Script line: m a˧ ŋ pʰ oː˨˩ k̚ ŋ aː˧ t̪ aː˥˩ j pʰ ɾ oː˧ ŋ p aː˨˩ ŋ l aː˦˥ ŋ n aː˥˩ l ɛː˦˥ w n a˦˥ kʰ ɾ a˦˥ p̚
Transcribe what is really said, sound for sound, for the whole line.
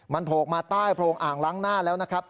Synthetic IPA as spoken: m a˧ n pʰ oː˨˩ k̚ m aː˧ t̪ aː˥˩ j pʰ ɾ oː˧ ŋ ʔ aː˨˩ ŋ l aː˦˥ ŋ n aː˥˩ l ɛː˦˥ w n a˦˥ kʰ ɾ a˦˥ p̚